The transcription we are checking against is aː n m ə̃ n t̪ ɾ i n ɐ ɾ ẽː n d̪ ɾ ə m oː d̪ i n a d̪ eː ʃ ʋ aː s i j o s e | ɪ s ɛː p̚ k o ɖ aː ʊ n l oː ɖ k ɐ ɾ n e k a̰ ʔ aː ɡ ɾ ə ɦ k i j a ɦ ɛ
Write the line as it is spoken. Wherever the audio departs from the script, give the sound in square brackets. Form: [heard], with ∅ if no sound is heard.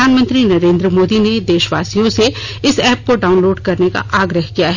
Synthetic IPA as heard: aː n m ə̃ n t̪ ɾ i n ɐ ɾ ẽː n d̪ ɾ ə m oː d̪ i n [e] d̪ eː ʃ ʋ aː s i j [õ] s e | ɪ s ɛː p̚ k o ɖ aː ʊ n l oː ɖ k ɐ ɾ n e k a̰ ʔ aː ɡ ɾ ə ɦ k i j a ɦ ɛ